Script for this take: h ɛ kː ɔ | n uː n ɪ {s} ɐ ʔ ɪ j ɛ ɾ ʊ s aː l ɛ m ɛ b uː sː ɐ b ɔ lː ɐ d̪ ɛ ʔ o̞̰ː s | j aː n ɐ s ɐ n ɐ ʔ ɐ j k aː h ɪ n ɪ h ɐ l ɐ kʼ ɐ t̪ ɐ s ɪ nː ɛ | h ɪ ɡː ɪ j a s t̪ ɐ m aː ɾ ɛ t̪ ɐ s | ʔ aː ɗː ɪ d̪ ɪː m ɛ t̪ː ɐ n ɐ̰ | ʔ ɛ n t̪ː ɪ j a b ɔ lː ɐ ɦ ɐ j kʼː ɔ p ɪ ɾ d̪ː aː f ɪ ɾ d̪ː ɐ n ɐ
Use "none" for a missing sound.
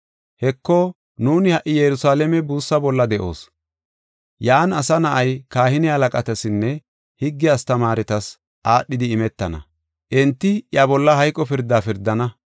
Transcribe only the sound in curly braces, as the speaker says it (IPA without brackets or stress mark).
h